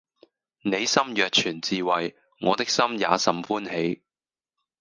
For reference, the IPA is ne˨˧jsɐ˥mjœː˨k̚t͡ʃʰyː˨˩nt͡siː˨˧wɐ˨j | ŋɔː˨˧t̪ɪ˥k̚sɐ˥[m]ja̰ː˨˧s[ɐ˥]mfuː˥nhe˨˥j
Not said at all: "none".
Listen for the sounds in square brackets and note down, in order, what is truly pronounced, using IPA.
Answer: m, ɐ˨

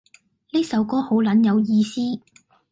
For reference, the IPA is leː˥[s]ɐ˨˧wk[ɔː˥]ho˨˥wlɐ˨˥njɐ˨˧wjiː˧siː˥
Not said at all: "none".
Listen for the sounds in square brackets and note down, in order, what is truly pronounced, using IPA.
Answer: s, ɔː˥

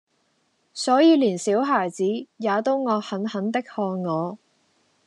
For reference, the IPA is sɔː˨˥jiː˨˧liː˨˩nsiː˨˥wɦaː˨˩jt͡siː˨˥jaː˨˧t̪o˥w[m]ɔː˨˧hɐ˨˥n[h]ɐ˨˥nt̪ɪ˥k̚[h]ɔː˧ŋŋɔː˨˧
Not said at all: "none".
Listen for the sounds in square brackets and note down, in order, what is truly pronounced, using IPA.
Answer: ŋ, h, h

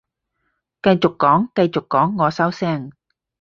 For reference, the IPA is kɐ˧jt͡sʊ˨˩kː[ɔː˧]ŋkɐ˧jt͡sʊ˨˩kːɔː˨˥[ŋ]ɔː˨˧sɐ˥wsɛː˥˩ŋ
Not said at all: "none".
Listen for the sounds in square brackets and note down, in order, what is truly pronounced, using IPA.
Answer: ɔː˨˥, ŋː

